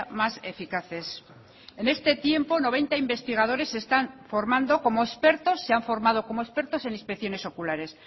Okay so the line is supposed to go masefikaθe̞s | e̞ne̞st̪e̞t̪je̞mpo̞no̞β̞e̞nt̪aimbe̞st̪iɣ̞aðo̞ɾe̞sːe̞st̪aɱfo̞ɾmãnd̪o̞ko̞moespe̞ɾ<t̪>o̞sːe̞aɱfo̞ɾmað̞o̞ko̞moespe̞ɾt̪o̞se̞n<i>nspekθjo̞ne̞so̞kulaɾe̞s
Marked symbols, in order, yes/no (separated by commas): yes, yes